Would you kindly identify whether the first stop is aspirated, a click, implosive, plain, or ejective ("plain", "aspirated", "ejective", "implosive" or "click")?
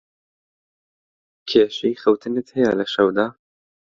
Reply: aspirated